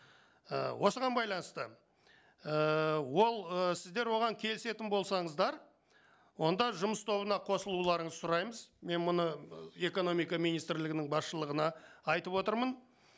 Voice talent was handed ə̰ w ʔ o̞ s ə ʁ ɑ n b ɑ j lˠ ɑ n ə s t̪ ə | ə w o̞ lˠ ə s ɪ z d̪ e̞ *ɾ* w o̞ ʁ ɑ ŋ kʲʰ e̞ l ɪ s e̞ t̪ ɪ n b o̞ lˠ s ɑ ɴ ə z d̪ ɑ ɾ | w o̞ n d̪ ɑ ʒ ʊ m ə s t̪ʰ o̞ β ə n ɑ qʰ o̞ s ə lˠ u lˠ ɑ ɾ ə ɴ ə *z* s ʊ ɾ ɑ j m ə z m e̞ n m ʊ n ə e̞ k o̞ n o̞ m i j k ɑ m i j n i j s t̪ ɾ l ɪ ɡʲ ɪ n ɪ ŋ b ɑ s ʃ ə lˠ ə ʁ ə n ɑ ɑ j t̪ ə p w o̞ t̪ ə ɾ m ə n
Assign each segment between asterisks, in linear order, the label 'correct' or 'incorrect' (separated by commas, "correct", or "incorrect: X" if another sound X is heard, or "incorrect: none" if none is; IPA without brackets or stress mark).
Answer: correct, correct